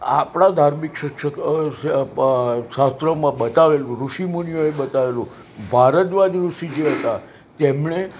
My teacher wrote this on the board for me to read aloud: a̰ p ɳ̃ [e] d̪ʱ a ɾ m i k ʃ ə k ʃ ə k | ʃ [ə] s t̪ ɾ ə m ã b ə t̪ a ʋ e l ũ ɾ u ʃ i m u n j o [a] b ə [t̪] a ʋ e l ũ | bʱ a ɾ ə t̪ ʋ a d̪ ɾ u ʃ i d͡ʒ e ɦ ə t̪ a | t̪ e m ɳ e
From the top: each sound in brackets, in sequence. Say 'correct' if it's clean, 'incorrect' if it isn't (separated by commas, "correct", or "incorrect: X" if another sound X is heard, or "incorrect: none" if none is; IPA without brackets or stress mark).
incorrect: a, incorrect: a, incorrect: e, correct